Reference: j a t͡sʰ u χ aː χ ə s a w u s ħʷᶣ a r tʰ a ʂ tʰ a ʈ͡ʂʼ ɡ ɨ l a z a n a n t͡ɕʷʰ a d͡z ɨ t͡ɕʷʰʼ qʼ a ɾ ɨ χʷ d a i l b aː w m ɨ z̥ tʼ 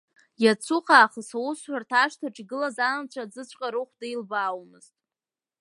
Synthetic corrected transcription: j a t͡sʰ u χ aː χ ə s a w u s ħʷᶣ a r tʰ a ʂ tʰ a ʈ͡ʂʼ ɡ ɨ l a z a n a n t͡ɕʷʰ a d͡z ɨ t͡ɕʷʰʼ qʼ a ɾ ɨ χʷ d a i l b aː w m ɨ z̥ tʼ

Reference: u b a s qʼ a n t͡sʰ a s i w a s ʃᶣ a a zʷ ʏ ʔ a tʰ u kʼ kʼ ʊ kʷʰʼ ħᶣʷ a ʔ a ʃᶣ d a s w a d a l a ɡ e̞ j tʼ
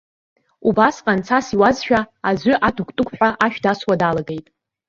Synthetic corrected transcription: u b a s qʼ a n t͡sʰ a s i w a z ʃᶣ a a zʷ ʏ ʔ a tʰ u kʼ tʼ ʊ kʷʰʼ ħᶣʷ a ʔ a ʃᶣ d a s w a d a l a ɡ e̞ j tʼ

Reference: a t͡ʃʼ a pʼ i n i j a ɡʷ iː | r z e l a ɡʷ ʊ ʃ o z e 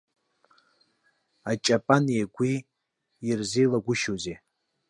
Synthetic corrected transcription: a t͡ʃʼ a pʼ a n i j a ɡʷ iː | r z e l a ɡʷ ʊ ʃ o z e

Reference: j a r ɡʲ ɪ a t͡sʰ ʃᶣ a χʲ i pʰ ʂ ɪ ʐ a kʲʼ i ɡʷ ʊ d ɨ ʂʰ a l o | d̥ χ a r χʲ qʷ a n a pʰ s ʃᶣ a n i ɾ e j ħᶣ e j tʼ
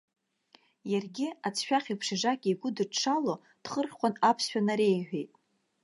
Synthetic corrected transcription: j a r ɡʲ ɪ a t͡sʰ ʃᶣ a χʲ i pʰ ʂ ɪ ʐ a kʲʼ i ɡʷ ʊ d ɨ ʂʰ a l o | d̥ χ ə r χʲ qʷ a n a pʰ s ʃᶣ a n a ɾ e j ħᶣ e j tʼ

